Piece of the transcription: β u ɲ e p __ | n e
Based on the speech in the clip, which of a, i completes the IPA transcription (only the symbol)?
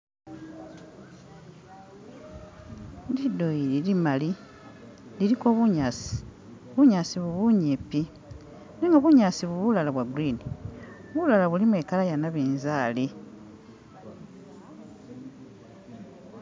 i